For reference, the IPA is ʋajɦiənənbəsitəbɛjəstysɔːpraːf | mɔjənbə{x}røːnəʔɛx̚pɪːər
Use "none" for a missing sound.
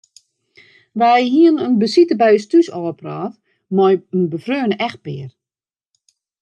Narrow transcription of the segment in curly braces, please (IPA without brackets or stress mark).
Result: f